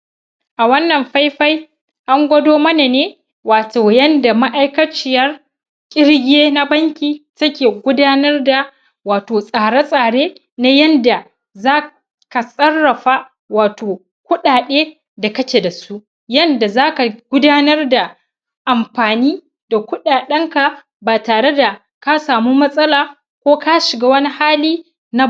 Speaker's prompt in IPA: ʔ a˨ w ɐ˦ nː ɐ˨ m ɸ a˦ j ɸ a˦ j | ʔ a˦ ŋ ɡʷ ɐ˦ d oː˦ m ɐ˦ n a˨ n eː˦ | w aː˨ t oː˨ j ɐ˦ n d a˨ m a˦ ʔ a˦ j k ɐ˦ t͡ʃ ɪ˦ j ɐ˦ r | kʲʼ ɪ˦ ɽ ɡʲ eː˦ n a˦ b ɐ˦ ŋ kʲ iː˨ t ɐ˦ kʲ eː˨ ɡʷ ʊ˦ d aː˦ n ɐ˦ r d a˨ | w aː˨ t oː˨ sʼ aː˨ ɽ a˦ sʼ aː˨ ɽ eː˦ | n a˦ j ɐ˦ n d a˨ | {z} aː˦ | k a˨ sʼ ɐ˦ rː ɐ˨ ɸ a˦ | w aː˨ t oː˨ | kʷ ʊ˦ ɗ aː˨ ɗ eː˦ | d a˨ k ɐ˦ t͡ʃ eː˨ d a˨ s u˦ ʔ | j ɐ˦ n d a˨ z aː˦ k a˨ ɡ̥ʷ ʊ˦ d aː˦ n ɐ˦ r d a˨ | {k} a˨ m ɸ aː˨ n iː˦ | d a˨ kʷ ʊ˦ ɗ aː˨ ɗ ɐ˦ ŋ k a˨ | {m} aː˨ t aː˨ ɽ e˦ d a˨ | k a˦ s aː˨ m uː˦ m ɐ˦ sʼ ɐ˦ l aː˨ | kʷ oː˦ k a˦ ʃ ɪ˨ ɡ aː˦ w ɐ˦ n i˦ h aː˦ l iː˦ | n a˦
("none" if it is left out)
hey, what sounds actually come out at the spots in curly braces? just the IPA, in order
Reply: z, ʔ, b

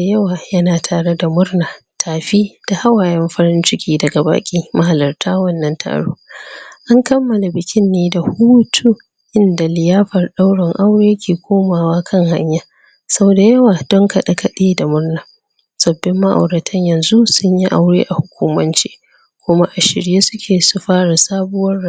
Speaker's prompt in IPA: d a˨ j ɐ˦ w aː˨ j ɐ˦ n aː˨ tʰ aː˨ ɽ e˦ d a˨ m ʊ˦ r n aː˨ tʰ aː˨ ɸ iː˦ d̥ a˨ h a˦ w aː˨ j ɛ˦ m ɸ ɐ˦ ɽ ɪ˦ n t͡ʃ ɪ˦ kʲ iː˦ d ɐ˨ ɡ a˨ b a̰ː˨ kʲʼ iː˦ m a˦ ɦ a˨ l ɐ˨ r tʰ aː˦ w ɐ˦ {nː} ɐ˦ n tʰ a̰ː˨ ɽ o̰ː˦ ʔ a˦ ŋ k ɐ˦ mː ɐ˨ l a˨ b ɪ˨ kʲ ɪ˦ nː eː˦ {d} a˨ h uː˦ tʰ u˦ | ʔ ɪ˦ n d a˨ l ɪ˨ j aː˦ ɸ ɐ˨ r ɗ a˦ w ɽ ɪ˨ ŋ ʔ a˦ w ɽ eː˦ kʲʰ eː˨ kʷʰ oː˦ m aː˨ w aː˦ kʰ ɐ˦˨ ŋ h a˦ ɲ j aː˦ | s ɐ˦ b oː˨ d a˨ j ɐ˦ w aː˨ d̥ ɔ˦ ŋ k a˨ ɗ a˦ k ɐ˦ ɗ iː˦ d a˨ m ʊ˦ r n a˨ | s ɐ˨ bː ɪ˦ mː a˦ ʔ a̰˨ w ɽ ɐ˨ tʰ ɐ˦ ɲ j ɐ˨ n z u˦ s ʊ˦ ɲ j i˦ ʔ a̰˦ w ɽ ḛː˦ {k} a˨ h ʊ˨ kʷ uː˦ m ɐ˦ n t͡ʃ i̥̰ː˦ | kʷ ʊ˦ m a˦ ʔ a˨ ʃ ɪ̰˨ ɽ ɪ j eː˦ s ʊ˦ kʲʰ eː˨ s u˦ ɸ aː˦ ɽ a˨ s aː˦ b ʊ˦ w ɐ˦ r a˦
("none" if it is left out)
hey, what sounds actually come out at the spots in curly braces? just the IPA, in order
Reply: nː, d, ʔ

